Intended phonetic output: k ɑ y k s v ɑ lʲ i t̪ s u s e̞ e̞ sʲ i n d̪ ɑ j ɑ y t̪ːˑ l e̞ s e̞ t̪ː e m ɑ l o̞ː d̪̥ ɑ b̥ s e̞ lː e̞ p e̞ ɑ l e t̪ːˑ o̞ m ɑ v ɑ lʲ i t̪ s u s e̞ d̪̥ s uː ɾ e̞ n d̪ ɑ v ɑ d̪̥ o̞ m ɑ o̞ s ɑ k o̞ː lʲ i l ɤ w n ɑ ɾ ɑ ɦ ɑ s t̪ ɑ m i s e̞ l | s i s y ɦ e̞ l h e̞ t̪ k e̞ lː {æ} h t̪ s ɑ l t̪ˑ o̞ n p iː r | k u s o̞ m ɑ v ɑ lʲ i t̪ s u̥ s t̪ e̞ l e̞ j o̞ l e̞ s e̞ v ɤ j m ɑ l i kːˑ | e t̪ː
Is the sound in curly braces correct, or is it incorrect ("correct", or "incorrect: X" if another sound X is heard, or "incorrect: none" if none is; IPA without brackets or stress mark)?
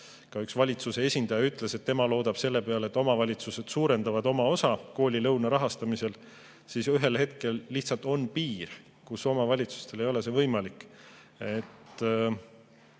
incorrect: i